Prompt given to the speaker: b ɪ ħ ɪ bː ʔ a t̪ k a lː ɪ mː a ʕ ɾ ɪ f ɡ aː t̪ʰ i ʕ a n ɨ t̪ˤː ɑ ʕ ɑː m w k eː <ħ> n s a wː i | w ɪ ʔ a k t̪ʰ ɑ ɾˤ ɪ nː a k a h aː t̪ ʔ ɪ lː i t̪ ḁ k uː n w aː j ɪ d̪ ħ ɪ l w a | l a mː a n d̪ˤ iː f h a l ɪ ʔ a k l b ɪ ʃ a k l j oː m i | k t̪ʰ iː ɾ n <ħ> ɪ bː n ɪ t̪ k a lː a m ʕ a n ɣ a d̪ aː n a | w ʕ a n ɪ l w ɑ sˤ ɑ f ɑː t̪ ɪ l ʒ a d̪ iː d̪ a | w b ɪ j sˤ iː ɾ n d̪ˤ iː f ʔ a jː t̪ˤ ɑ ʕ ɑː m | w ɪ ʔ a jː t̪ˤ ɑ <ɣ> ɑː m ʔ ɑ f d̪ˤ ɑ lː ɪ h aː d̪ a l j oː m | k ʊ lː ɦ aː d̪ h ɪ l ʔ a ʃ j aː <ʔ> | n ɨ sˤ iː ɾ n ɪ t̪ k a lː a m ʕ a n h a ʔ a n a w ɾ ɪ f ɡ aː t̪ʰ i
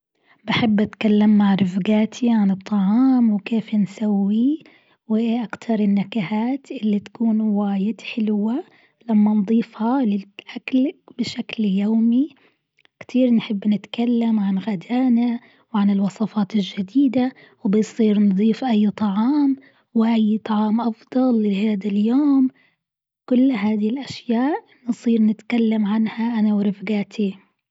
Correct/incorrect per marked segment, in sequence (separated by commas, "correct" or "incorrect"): incorrect, correct, incorrect, correct